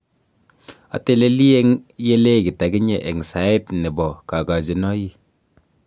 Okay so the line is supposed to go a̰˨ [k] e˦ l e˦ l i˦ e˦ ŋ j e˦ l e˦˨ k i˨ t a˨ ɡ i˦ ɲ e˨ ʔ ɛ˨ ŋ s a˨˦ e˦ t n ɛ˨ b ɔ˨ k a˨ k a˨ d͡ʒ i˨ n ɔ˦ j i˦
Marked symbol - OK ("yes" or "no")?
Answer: no